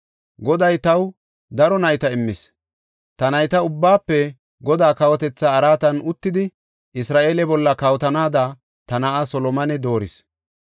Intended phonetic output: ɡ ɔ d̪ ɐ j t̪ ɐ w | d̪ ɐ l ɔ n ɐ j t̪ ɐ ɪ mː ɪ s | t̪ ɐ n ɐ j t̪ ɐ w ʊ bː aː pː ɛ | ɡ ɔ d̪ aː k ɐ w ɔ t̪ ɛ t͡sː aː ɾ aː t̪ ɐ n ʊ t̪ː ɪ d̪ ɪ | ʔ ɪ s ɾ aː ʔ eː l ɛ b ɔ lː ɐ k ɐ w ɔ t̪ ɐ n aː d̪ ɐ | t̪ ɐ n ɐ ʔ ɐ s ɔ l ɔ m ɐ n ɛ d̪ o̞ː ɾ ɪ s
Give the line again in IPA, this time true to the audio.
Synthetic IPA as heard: ɡ ɔ d̪ ɐ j t̪ ɐ w | d̪ ɐ ɾ ɔ n ɐ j t̪ ɐ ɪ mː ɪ s | t̪ ɐ n ɐ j t̪ ɐ ʊ bː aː pː ɛ | ɡ ɔ d̪ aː k ɐ w ɔ t̪ ɛ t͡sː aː ɾ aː t̪ ɐ n ʊ t̪ː ɪ d̪ ɪ | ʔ ɪ s ɾ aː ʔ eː l ɛ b ɔ lː ɐ k ɐ w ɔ t̪ ɐ n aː d̪ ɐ | t̪ ɐ n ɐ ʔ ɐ s ɔ l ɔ m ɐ n ɛ d̪ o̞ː ɾ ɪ s